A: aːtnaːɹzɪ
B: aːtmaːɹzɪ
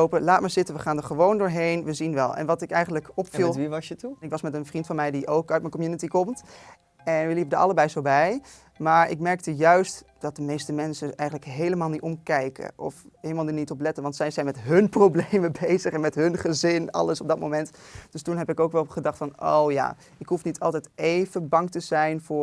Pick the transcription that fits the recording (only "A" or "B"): B